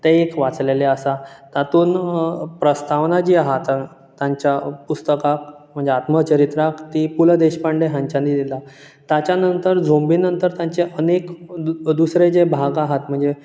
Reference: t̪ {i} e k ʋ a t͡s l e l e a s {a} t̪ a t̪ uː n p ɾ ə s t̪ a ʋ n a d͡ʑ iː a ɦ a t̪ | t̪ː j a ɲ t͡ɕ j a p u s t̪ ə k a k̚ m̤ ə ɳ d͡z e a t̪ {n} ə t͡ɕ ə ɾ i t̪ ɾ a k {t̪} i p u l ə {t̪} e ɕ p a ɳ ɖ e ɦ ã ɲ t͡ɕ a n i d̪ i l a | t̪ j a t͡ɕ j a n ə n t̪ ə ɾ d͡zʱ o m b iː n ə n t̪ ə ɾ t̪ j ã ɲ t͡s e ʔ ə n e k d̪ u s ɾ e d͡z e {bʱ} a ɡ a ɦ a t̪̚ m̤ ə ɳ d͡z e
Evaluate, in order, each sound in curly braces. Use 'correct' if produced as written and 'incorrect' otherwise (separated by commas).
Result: incorrect, correct, incorrect, correct, incorrect, correct